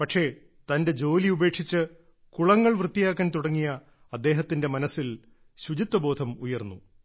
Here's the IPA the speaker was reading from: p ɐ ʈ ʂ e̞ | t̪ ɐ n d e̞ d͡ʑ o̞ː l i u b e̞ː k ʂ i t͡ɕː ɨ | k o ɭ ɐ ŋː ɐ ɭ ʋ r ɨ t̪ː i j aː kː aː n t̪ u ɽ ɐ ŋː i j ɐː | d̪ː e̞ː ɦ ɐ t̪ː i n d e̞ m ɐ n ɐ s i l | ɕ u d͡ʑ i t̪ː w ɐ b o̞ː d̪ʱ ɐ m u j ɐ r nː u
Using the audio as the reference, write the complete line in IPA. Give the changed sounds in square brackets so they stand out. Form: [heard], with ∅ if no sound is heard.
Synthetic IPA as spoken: p ɐ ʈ ʂ e̞ | t̪ ɐ n d e̞ d͡ʑ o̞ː l i u b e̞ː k ʂ i t͡ɕː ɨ | k [u] ɭ ɐ ŋː ɐ ɭ ʋ r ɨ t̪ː i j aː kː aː n t̪ u ɽ ɐ ŋː i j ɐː | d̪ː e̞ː ɦ ɐ t̪ː i n d e̞ m ɐ n ɐ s i l | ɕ u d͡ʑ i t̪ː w ɐ b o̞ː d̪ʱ ɐ m u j ɐ r nː u